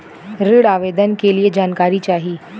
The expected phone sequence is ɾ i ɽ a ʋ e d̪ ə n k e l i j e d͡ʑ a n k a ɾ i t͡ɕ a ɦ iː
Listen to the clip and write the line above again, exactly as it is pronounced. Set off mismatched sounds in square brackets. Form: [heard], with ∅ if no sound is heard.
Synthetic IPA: ɾ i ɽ a ʋ e d̪ ə n k e l i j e d͡ʑ a n k a ɾ i t͡ɕ a ɦ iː